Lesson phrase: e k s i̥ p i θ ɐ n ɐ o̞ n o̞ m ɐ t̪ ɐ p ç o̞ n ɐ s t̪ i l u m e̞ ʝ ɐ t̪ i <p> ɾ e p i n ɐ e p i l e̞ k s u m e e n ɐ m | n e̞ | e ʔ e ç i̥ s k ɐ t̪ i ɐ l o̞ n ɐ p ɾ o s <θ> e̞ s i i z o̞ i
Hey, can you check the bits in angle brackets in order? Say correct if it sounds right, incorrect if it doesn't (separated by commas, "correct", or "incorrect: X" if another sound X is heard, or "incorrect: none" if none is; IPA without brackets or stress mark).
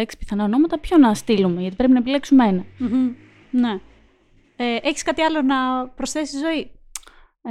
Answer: correct, correct